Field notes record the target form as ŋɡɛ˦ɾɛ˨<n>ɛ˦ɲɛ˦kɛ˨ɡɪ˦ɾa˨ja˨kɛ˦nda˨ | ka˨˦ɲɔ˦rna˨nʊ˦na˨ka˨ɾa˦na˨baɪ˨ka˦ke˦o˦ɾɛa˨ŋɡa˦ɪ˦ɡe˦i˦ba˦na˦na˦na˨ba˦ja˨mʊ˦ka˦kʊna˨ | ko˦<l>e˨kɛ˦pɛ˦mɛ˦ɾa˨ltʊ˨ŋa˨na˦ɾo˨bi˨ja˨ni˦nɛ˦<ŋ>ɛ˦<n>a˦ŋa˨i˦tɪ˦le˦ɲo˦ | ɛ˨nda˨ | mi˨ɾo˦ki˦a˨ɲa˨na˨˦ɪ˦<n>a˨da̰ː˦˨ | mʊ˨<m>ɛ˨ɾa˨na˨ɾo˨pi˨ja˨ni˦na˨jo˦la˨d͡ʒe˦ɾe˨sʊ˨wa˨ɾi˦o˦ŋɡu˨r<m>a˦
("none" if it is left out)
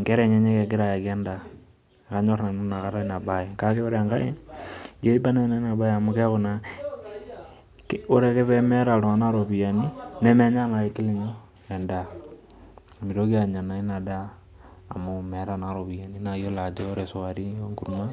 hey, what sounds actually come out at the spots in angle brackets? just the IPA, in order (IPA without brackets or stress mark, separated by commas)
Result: ɲ, ɾ, m, ɲ, n, m, m